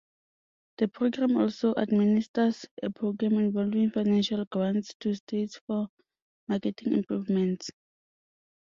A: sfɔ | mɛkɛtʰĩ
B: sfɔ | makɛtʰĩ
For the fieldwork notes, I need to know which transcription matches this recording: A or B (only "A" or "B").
B